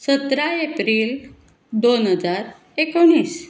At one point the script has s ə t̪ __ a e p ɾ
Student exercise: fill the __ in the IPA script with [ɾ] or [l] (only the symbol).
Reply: ɾ